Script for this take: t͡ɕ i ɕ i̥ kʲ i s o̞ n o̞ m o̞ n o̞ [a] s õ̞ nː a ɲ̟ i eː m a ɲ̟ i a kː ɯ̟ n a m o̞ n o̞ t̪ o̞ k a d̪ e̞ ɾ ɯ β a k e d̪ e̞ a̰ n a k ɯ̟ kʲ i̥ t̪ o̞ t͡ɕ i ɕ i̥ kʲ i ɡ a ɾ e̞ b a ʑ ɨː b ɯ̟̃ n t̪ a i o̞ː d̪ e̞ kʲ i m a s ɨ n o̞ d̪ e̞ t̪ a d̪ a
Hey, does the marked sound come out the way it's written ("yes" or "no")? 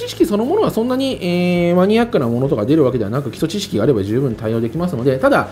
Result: yes